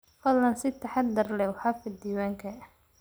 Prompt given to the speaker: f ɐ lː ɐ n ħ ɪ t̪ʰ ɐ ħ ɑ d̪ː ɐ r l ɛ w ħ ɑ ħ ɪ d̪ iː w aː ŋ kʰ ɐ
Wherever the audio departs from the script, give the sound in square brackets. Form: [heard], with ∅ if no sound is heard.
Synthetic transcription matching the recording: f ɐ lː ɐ n [s] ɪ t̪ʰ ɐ ħ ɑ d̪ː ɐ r l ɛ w ħ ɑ [f] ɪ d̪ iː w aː ŋ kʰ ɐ